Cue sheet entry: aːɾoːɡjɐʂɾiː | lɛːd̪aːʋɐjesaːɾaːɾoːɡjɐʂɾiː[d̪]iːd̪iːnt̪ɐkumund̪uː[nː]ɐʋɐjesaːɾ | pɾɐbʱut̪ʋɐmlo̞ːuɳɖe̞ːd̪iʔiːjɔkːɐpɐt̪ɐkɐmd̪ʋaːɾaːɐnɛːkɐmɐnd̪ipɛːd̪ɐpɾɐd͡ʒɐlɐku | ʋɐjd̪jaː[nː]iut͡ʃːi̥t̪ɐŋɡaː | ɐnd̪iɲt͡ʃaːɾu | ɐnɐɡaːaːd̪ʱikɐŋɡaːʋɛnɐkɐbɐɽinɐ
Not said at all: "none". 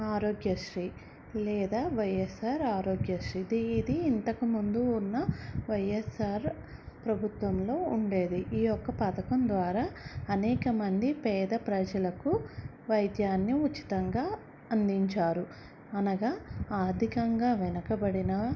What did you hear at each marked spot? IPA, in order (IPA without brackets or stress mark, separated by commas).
d̪, nː, nː